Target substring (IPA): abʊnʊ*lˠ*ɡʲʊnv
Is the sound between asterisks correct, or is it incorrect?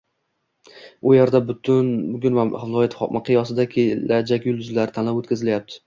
incorrect